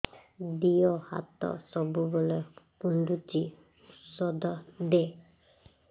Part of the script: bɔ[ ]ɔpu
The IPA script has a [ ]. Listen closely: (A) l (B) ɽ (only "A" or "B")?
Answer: A